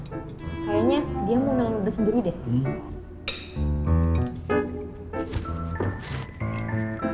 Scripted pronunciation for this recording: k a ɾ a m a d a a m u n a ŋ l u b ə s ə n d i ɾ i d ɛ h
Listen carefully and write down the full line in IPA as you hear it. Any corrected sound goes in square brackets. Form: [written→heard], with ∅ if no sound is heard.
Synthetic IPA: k a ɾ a [m→ɲ] a d [a→i] a m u n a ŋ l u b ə s ə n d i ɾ i d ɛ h